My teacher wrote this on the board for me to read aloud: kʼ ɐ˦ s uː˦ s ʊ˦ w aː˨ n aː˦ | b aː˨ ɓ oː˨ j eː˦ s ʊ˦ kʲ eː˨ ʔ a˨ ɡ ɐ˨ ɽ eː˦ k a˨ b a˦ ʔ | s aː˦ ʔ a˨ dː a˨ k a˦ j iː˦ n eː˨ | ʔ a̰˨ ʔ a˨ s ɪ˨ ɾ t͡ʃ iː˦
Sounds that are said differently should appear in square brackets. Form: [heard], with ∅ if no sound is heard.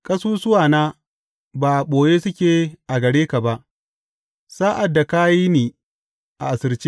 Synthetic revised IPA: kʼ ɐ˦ s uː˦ s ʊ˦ w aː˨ n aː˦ | b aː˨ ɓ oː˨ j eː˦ s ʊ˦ kʲ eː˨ ʔ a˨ ɡ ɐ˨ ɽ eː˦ k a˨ b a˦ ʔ | s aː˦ ʔ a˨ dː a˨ k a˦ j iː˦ n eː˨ | ʔ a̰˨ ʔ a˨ s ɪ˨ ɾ t͡ʃ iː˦

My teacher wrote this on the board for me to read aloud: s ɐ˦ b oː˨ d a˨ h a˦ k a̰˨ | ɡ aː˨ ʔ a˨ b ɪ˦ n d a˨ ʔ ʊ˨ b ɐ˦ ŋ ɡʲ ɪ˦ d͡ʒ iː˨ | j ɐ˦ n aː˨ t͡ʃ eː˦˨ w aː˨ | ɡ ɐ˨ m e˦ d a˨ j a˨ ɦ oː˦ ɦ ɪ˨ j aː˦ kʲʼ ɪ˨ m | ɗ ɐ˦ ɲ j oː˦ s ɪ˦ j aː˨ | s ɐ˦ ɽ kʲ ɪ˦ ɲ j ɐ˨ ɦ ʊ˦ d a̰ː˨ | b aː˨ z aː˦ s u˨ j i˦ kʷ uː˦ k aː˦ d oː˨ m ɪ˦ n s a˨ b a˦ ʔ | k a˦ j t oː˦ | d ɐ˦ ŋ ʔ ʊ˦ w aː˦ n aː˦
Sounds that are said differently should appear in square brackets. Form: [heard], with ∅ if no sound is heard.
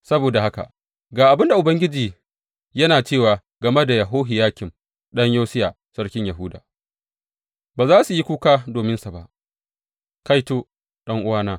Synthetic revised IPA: s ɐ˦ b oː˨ d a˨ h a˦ k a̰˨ | ɡ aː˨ ʔ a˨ b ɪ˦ n d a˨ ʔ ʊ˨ b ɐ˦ ŋ ɡʲ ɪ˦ d͡ʒ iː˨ | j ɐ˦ n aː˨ t͡ʃ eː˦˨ w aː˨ | ɡ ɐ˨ m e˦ d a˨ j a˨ ɦ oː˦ ɦ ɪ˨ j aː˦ [kʲ] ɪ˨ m | ɗ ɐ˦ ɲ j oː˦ s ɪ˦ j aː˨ | s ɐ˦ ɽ kʲ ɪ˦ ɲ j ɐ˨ ɦ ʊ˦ d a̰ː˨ | b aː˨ z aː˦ s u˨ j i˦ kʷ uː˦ k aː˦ d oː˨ m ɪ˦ n s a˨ b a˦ ʔ | k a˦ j t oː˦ | [ɗ] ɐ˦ ŋ ʔ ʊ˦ w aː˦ n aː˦

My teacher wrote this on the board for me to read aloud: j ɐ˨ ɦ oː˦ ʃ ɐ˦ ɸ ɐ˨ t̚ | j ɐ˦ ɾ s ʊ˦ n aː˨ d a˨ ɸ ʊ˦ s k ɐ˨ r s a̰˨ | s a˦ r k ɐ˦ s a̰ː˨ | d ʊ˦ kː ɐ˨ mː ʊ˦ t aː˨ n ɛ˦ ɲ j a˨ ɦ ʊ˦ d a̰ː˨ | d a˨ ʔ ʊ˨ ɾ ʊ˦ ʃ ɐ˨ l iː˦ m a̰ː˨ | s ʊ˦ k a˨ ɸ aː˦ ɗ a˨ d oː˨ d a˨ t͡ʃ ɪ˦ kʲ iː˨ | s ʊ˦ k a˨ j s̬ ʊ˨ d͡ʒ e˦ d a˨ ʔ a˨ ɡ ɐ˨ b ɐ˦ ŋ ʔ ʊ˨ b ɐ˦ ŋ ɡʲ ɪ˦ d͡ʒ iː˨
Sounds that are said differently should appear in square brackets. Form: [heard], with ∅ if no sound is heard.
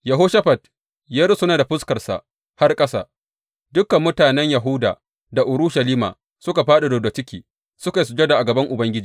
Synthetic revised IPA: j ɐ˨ ɦ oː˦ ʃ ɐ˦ ɸ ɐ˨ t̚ | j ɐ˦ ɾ s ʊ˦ n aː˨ d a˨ ɸ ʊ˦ s k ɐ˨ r s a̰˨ | [h] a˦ r [kʼ] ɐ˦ s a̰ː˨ | d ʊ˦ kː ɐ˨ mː ʊ˦ t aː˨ n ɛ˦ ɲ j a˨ ɦ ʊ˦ d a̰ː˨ | d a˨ ʔ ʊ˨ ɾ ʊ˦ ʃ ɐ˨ l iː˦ m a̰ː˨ | s ʊ˦ k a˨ ɸ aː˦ ɗ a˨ d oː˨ d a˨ t͡ʃ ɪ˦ kʲ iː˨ | s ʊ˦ k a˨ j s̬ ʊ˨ d͡ʒ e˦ d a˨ ʔ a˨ ɡ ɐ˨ b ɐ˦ ŋ ʔ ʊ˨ b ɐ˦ ŋ ɡʲ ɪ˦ d͡ʒ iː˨

